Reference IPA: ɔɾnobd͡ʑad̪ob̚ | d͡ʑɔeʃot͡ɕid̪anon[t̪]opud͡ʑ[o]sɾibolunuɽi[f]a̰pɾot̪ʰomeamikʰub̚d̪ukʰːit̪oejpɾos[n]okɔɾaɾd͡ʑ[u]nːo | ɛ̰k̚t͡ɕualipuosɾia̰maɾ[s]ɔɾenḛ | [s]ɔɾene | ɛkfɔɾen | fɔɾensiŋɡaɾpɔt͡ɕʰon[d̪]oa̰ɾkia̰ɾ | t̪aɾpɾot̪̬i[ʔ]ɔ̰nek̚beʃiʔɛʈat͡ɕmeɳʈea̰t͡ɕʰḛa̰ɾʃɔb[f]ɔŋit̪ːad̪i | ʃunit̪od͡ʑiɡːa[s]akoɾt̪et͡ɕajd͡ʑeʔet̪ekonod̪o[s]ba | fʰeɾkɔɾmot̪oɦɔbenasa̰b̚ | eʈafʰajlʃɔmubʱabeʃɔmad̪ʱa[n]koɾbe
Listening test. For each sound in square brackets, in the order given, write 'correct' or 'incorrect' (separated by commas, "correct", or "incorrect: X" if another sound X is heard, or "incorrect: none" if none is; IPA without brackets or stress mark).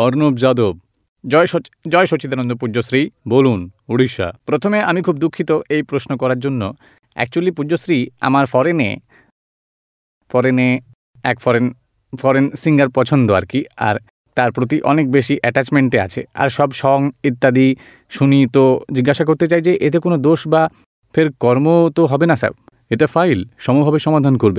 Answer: incorrect: d̪, correct, incorrect: ʃ, correct, incorrect: o, incorrect: f, incorrect: f, correct, correct, incorrect: ʃ, incorrect: ʃ, incorrect: ʃ, correct